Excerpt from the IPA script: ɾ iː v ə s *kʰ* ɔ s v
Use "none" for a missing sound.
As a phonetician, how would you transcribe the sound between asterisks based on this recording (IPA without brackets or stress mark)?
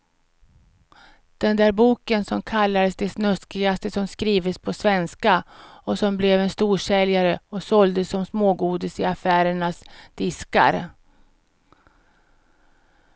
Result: pʰ